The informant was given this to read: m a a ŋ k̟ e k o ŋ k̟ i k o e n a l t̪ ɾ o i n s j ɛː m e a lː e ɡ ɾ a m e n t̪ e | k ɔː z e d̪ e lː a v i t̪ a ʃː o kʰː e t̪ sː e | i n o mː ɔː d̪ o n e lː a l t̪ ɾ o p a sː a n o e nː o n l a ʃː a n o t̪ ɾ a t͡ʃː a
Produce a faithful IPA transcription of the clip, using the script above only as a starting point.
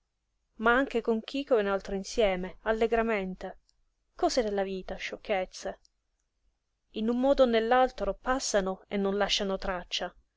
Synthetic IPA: m a a ŋ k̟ e k o ŋ k̟ i k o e n a l t̪ ɾ o i n s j ɛː m e a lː e ɡ ɾ a m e n t̪ e | k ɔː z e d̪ e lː a v iː t̪ a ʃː o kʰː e t̪ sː e | i n u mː ɔː d̪ o n e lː a l t̪ ɾ o p a sː a n o e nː o n l a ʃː a n o t̪ ɾ a t͡ʃː a